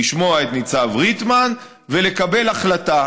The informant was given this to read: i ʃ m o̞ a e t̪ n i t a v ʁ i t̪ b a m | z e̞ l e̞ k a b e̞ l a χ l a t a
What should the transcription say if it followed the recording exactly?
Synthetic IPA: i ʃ m o̞ a e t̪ n i t͡s a v ʁ i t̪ m a n | v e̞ l e̞ k a b e̞ l a χ l a t a